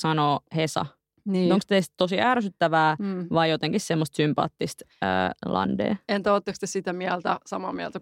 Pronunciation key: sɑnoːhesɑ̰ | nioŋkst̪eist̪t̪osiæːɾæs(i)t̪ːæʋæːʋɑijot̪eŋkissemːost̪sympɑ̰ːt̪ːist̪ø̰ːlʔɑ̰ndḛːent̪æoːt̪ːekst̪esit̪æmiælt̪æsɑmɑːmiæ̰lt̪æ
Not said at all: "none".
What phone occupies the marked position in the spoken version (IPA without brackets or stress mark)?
y